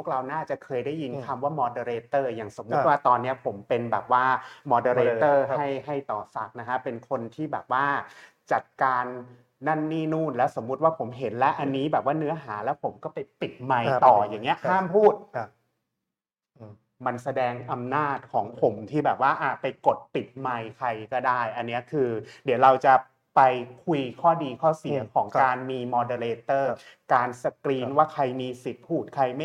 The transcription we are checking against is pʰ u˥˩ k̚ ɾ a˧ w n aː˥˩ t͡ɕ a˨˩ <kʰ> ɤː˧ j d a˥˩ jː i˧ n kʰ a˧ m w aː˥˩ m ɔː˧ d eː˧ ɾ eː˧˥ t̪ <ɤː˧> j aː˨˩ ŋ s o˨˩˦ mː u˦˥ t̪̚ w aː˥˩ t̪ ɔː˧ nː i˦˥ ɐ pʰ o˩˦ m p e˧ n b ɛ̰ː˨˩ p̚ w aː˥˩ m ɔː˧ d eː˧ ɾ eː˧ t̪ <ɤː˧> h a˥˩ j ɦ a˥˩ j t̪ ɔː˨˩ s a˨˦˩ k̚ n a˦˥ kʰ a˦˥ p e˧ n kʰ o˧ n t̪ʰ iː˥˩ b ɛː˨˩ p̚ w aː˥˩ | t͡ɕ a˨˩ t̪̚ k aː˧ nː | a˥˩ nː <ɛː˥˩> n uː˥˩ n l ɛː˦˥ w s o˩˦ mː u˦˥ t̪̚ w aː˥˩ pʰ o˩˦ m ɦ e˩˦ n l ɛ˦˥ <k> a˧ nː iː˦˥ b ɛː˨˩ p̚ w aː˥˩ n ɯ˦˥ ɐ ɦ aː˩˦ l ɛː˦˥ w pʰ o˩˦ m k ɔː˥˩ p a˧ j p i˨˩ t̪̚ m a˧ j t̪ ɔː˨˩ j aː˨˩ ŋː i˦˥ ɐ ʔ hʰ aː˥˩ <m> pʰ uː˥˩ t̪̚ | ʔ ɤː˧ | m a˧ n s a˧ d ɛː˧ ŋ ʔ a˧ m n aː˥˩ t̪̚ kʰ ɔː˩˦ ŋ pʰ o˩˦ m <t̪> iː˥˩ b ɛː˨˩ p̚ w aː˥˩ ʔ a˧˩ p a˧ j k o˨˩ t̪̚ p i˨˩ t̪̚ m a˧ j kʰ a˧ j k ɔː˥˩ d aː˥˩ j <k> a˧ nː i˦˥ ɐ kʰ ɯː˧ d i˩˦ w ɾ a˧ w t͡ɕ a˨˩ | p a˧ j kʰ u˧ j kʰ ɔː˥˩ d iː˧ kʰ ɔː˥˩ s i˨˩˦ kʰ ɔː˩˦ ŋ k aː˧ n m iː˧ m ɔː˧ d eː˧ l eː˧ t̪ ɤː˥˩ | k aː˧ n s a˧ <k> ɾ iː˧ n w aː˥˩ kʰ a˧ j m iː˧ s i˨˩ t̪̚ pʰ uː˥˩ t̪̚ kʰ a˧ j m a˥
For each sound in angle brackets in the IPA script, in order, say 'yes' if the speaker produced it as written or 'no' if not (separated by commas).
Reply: yes, no, no, no, no, yes, no, no, yes